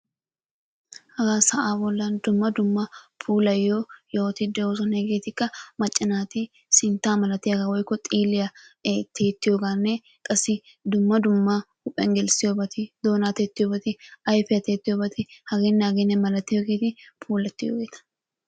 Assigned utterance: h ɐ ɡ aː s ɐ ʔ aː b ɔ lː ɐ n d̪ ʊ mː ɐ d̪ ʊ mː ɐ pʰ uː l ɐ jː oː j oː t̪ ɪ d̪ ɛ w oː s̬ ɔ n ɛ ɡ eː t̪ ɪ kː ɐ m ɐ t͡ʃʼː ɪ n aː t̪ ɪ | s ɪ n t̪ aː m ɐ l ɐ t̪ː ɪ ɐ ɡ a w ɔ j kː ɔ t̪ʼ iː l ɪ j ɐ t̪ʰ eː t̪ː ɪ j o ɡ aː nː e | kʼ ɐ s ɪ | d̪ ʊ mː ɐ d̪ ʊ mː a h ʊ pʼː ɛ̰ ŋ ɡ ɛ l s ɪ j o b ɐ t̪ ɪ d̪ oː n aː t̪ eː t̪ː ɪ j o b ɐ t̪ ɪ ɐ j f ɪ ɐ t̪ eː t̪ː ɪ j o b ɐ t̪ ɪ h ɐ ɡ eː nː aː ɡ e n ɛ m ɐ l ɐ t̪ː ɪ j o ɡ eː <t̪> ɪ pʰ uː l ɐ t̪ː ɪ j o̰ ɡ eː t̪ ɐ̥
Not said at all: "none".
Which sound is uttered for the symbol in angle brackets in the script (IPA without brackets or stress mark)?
t̪